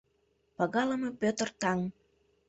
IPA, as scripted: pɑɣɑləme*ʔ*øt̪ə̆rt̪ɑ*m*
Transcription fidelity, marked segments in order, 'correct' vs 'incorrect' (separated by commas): incorrect, incorrect